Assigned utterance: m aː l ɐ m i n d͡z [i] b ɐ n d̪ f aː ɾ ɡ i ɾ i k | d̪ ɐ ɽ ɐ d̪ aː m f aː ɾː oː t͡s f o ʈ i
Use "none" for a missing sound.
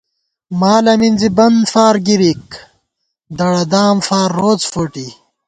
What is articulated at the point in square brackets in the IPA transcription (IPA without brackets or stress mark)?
i